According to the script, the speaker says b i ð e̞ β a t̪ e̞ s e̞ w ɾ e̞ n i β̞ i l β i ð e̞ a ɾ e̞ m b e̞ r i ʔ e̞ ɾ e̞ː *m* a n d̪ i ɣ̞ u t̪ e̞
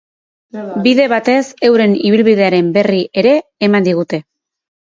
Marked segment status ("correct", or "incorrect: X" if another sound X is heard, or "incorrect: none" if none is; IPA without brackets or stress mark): correct